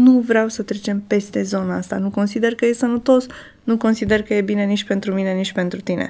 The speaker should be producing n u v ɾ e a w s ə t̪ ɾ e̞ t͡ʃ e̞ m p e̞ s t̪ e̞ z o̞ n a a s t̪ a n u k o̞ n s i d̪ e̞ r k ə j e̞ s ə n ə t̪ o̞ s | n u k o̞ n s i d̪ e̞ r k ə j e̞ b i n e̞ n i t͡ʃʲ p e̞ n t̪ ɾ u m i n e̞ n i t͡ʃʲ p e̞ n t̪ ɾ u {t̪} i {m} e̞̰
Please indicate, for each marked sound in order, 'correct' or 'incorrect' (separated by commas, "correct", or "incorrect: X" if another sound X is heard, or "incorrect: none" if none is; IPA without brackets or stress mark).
correct, incorrect: n